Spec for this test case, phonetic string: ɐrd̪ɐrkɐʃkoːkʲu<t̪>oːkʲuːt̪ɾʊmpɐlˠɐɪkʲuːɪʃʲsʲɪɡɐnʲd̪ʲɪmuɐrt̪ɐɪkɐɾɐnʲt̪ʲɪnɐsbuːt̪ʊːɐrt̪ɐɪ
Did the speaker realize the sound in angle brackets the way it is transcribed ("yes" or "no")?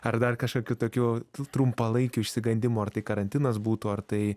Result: yes